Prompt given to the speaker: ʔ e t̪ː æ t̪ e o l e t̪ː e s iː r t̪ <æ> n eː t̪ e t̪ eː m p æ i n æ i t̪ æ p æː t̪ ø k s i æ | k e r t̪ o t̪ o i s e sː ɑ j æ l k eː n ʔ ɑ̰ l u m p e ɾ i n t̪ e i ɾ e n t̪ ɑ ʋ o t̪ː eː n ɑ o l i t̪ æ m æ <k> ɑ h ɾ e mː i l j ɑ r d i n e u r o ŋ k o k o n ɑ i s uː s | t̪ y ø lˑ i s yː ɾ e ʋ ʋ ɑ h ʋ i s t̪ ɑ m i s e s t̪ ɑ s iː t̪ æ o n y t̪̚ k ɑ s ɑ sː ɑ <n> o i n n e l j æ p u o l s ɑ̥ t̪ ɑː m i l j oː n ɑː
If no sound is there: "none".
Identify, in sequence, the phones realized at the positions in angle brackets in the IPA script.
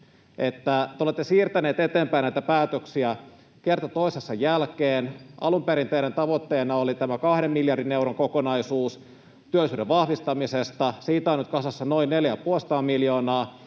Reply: æ, k, n

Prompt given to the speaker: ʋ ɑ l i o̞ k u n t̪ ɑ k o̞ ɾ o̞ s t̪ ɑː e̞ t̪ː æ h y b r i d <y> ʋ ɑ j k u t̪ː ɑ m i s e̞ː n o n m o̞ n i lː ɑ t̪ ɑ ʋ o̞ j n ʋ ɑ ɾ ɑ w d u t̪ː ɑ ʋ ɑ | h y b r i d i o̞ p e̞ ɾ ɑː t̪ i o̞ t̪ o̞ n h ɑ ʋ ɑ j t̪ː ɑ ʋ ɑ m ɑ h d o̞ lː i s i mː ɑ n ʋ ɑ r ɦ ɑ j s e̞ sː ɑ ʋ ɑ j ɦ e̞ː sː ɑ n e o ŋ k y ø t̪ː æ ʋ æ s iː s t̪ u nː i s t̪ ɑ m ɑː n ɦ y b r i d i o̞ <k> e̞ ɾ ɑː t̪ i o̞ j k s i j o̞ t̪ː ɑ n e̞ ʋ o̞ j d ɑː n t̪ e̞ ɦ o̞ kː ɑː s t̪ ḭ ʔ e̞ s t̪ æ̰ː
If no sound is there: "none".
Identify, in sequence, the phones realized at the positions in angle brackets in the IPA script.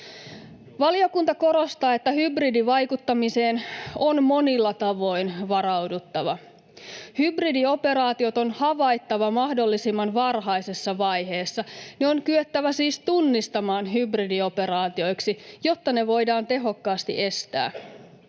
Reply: i, p

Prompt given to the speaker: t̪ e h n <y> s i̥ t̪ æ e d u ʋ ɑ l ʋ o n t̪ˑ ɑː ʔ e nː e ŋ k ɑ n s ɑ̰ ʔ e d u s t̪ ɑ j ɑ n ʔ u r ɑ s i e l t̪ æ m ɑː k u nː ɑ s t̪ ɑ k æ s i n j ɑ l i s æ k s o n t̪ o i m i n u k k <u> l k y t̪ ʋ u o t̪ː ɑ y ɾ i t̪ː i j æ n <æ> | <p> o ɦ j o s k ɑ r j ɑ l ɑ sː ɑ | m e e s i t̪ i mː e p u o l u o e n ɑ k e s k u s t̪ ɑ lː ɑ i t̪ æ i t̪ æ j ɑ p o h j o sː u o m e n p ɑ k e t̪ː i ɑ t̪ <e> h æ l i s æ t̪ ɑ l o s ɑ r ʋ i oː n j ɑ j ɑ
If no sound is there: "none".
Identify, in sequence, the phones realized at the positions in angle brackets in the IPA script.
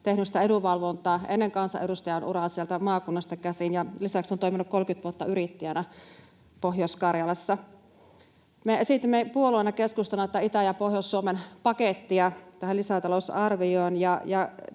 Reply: y, o, æ, p, æ

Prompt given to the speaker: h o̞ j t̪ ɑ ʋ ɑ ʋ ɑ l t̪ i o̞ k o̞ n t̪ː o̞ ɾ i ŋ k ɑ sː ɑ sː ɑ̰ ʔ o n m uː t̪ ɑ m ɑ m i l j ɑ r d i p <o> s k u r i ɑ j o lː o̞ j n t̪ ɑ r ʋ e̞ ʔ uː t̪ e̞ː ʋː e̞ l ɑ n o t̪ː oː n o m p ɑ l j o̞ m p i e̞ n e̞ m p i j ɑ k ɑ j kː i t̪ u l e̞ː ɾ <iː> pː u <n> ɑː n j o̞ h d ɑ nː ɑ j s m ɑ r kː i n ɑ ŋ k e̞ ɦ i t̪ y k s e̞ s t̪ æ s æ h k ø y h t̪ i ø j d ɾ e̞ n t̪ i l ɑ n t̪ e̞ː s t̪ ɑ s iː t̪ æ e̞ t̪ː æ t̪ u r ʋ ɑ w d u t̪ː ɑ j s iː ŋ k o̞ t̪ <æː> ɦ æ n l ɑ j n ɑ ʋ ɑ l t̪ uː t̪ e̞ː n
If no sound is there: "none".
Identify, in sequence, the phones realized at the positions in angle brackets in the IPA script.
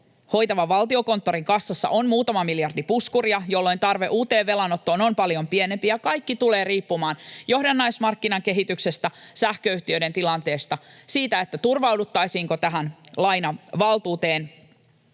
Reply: u, iː, m, æ

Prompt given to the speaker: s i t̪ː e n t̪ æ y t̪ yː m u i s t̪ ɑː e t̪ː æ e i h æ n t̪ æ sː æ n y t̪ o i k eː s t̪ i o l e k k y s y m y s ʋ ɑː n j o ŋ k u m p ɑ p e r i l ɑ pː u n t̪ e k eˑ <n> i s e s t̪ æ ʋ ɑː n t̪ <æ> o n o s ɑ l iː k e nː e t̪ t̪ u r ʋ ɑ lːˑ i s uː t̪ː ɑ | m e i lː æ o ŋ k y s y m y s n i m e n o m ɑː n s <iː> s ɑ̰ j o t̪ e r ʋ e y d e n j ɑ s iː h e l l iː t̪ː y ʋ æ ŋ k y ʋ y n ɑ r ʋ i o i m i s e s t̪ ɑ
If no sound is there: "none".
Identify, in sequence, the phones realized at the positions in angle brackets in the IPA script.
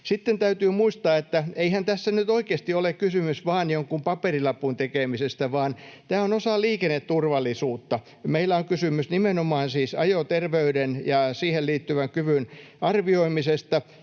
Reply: m, æː, iː

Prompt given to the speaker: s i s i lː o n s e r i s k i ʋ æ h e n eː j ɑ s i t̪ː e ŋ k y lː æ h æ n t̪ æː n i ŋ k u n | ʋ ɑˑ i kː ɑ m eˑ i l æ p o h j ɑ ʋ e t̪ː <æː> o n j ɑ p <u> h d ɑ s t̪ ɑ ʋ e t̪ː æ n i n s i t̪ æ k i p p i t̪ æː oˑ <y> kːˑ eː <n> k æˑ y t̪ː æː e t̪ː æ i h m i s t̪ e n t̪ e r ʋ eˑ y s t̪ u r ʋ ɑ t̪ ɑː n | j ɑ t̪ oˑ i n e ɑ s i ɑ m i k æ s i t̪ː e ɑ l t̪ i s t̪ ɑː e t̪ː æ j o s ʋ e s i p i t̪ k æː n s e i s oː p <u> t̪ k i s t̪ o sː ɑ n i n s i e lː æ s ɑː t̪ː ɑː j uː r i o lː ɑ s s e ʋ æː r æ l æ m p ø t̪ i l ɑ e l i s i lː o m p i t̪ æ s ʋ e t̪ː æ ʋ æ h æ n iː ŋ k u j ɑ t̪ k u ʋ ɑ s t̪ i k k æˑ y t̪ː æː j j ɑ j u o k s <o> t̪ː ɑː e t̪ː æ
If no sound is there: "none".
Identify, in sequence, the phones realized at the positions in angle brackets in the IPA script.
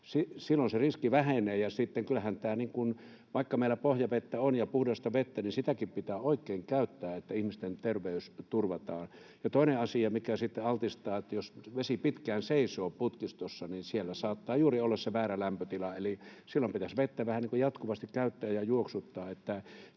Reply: æ, u, i, ŋ, u, u

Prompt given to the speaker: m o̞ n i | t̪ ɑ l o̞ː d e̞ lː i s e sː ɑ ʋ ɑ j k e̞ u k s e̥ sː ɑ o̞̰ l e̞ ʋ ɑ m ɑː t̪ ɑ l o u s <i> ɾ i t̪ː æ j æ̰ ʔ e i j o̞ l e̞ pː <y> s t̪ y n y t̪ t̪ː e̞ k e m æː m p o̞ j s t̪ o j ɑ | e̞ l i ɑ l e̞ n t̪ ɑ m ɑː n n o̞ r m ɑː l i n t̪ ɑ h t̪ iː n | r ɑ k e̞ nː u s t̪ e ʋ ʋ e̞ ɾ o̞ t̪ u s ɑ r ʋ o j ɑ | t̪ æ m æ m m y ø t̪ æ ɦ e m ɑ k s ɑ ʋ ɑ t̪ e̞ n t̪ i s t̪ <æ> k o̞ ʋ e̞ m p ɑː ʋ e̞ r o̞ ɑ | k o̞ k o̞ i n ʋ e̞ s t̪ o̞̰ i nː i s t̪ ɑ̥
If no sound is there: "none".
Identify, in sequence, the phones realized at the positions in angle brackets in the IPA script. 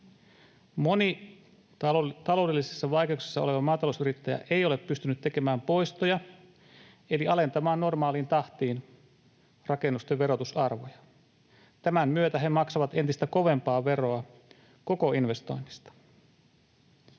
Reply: y, y, æ

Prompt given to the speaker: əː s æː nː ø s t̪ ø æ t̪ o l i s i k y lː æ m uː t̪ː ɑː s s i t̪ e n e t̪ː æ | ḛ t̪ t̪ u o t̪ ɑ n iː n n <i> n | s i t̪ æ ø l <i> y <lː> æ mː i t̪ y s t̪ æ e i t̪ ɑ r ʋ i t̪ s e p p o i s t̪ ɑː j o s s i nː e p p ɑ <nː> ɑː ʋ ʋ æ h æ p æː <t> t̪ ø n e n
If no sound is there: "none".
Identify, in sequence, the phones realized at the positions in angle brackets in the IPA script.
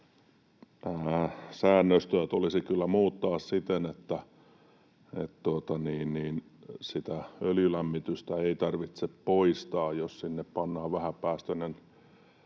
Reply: iː, j, l, nː, s

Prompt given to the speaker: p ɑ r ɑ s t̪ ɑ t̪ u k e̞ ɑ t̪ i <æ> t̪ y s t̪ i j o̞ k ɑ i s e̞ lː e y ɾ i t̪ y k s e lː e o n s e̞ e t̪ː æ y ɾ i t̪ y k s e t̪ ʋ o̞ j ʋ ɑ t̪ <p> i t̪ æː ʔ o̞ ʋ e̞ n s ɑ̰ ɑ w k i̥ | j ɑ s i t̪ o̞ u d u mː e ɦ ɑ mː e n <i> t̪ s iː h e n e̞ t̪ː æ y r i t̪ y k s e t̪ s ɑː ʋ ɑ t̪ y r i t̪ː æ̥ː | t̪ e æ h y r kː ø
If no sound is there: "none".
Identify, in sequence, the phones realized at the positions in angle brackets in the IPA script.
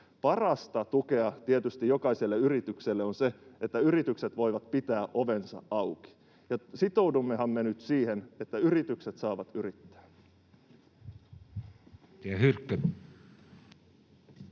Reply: e, p, y

